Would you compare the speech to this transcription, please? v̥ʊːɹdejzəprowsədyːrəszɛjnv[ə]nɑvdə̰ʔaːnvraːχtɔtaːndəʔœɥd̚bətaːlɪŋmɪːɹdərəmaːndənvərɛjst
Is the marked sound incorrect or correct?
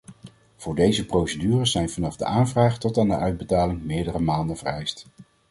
incorrect